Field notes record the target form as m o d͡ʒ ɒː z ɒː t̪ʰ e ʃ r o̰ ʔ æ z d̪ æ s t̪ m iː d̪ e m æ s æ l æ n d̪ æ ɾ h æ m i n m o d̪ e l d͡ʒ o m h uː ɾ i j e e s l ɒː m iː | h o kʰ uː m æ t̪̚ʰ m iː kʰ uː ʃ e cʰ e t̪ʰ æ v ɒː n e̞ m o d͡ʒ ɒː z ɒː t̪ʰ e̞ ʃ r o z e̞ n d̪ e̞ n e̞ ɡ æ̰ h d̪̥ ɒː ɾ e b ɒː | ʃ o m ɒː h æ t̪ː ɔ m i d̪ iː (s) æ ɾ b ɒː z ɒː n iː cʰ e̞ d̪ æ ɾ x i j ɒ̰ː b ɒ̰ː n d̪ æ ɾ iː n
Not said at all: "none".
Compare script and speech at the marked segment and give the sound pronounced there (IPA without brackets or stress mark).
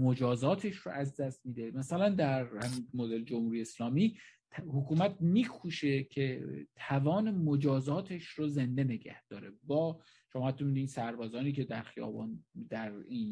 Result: s